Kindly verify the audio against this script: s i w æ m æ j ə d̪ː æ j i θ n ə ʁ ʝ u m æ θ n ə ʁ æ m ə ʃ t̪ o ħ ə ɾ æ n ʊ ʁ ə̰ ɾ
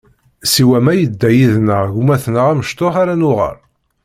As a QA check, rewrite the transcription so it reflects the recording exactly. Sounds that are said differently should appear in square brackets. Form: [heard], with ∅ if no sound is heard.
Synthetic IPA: s i w æ m æ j ə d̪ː æ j i [ð] n ə ʁ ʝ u m æ θ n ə ʁ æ m ə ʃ t̪ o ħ [a] ɾ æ n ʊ ʁ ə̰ ɾ